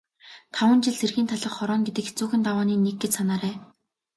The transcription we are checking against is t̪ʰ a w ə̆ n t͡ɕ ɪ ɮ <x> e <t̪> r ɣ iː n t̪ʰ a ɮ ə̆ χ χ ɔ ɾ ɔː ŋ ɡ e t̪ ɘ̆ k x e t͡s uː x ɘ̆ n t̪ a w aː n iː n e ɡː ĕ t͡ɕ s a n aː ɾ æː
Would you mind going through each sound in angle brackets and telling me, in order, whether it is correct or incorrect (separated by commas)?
incorrect, incorrect